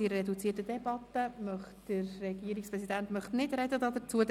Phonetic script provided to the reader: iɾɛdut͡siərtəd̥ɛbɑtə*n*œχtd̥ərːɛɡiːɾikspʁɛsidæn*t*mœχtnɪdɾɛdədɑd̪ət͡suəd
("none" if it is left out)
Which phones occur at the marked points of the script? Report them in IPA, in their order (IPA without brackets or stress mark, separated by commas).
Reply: m, t